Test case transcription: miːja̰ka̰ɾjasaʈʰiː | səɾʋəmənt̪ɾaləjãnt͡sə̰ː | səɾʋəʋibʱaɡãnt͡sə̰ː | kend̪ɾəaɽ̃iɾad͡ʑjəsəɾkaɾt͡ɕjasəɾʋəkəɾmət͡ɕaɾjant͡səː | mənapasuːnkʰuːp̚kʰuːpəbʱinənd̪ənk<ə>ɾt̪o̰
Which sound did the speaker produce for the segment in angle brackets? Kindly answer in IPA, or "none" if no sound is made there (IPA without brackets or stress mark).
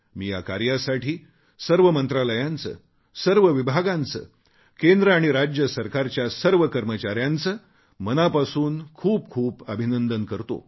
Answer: ə